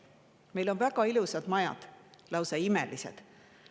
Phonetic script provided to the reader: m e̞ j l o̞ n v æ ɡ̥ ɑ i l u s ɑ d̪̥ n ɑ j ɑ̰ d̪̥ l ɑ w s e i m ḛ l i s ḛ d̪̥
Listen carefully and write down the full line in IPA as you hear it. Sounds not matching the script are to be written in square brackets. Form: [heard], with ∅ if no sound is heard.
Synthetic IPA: m e̞ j l o̞ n v æ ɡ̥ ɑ i l u s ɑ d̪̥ [m] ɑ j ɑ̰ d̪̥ l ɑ w s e i m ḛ l i s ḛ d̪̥